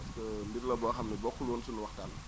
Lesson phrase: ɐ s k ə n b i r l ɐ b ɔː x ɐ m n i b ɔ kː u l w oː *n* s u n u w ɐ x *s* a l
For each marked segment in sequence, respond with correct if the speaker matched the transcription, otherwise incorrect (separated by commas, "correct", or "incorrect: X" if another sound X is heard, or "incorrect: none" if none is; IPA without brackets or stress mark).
correct, incorrect: t